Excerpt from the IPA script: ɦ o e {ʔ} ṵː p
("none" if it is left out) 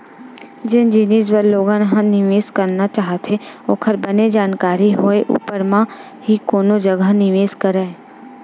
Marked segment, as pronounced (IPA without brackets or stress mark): ʔ